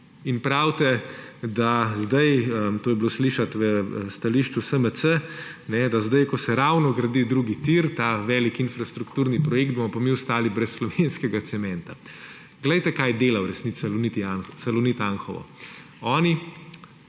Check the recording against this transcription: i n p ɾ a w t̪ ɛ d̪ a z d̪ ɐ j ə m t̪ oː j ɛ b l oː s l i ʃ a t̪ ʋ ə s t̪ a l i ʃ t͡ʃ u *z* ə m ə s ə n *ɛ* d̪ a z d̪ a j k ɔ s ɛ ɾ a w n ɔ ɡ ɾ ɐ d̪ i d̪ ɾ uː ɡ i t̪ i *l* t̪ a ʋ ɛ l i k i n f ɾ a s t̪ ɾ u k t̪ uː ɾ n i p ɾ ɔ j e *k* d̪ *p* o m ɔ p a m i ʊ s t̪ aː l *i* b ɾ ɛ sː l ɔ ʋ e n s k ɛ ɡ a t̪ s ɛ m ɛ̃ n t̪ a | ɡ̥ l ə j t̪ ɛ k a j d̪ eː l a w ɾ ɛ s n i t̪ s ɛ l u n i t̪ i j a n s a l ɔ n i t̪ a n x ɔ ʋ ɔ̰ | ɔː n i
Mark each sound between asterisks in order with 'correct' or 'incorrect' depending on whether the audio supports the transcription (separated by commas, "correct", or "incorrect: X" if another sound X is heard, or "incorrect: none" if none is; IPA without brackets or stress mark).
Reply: incorrect: s, correct, incorrect: ɾ, correct, incorrect: b, correct